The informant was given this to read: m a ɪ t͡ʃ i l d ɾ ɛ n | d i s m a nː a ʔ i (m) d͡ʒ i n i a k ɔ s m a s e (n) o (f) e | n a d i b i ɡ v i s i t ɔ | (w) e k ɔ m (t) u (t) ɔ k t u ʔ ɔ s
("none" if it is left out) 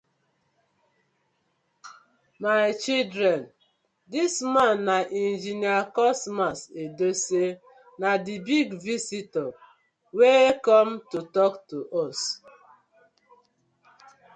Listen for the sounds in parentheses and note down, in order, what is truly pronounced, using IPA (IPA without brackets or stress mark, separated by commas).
n, d, s, w, t, t